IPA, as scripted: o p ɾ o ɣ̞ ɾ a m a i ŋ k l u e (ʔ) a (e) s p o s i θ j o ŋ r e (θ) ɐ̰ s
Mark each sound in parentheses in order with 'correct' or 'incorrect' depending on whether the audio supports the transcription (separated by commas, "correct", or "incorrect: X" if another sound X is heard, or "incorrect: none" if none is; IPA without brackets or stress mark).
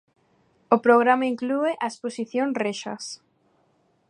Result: correct, correct, incorrect: ʃ